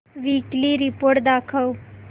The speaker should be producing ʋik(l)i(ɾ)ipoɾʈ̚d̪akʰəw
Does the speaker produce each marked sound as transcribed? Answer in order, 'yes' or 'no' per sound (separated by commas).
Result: yes, yes